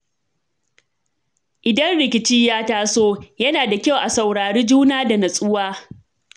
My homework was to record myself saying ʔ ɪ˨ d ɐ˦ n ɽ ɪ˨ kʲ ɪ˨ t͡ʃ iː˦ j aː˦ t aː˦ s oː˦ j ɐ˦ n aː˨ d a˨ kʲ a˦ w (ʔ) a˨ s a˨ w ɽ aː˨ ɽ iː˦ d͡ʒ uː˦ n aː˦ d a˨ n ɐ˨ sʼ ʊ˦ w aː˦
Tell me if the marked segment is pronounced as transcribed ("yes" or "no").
yes